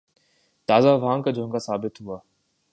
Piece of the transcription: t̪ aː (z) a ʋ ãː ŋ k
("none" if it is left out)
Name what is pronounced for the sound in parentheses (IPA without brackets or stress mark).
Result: z